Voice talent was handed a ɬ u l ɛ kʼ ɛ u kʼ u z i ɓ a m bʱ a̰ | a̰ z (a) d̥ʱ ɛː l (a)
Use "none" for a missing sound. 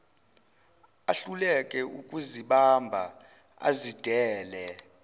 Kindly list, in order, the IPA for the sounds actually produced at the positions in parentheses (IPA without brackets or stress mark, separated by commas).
i, ɛ